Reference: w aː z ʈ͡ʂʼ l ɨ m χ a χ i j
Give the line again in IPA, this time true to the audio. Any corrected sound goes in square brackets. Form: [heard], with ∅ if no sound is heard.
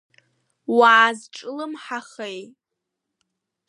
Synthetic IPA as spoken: w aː z ʈ͡ʂʼ l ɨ m [ħ] a χ [e] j